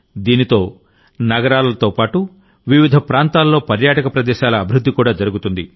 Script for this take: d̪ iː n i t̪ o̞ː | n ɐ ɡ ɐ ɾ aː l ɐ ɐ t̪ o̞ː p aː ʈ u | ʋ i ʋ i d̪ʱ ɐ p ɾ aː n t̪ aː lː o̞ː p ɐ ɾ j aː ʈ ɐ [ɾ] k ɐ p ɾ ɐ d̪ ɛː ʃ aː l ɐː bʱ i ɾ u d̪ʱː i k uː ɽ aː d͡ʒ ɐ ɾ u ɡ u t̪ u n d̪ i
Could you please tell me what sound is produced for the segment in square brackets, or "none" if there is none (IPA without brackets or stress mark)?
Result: none